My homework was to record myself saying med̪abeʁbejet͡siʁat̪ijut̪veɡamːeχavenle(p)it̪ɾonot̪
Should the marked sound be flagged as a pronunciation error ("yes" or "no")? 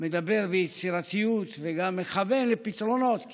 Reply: no